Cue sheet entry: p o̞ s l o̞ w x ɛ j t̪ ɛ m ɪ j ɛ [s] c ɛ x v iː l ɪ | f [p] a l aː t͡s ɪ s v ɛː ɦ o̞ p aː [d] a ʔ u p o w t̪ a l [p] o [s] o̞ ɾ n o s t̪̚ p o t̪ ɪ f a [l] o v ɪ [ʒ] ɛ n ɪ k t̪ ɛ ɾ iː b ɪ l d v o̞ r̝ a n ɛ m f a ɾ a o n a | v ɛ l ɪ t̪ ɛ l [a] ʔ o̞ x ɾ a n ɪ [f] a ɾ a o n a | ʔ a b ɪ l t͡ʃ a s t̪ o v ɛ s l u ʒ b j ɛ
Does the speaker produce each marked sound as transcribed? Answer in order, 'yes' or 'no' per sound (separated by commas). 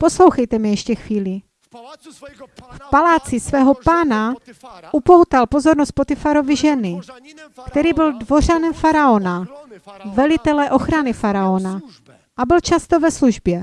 no, yes, no, yes, no, no, yes, no, yes